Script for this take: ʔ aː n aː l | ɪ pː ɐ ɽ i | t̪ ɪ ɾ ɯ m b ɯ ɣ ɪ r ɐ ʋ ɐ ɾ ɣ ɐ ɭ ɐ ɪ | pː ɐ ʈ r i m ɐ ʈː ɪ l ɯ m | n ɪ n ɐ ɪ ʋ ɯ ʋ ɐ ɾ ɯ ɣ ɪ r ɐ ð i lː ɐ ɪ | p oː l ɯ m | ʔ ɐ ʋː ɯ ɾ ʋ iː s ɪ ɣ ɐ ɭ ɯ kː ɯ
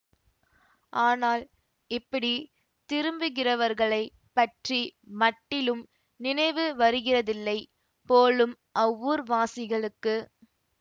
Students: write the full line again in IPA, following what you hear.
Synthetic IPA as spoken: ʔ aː n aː l | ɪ pː ɐ ɽ i | t̪ ɪ ɾ ɯ m b ɯ ɣ ɪ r ɐ ʋ ɐ ɾ ɣ ɐ ɭ ɐ ɪ | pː ɐ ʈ r i m ɐ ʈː ɪ l ɯ m | n ɪ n ɐ ɪ ʋ ɯ ʋ ɐ ɾ ɯ ɣ ɪ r ɐ ð ɪ lː ɐ ɪ | p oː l ɯ m | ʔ ɐ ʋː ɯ ɾ ʋ aː s ɪ ɣ ɐ ɭ ɯ kː ɯ